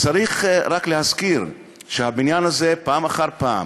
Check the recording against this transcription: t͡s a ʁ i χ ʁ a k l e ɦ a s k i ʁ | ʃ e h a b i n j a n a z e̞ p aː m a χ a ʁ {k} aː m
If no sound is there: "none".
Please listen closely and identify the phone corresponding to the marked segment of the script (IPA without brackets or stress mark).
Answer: p